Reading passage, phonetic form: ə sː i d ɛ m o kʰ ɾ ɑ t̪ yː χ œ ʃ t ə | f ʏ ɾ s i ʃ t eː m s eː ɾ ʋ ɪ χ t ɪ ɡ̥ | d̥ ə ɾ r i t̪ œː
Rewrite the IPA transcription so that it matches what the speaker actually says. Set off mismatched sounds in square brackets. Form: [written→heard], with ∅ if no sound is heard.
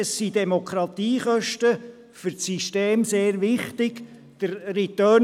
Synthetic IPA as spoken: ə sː i d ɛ m o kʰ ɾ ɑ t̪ [yː→iː] χ œ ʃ t ə | f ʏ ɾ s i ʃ t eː m s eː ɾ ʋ ɪ χ t ɪ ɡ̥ | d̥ ə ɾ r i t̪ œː